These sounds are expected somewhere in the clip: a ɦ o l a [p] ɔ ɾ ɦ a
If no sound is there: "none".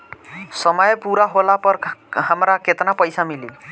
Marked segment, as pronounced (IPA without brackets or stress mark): p